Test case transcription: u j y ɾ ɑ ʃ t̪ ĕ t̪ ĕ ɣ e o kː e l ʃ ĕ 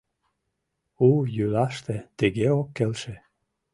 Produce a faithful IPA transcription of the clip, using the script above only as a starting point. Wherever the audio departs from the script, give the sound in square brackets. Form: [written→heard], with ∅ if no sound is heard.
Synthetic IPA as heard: u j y [ɾ→l] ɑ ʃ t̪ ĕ t̪ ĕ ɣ e o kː e l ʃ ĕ